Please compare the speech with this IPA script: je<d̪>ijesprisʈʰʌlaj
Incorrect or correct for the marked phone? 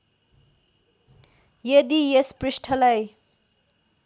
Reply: correct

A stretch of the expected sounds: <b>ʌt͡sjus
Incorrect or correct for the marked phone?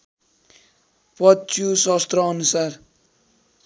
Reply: incorrect: p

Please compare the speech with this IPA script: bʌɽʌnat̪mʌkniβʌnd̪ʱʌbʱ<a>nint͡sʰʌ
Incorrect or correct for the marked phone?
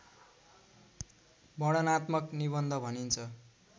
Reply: incorrect: ʌ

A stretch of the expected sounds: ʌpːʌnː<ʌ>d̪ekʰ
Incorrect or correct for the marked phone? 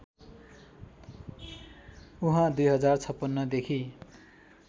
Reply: correct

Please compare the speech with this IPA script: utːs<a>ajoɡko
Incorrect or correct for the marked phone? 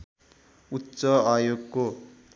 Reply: incorrect: ʌ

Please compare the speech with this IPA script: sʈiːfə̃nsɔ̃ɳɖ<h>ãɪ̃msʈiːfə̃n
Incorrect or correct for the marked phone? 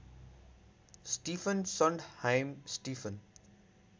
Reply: correct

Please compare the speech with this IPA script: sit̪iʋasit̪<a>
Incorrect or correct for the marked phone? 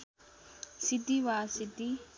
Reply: incorrect: i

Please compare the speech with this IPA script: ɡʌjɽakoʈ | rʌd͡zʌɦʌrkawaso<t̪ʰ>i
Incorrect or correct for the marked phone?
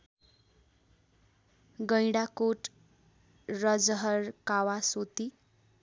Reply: incorrect: t̪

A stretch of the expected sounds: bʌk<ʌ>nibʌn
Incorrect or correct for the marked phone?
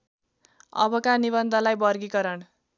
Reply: incorrect: a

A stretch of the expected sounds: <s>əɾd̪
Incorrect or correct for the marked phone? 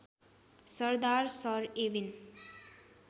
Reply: correct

